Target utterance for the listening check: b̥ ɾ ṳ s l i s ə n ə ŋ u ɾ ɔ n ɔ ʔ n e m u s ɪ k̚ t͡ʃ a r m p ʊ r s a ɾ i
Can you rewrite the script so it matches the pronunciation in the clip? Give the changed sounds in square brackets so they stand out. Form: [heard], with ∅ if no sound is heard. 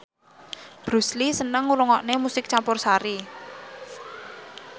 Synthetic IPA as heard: b̥ ɾ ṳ s l i s ə n ə ŋ u ɾ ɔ [ŋ] ɔ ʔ n e m u s ɪ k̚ t͡ʃ a [∅] m p ʊ r s a ɾ i